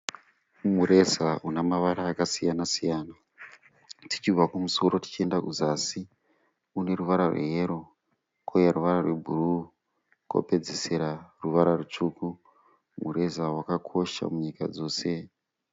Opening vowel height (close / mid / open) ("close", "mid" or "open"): close